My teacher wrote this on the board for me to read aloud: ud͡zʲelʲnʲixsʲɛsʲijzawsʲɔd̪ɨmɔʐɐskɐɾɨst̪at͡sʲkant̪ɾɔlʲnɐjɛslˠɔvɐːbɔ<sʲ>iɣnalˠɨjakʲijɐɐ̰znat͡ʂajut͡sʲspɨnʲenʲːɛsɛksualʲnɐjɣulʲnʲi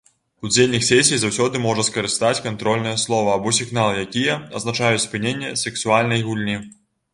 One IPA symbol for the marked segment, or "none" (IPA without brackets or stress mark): sʲ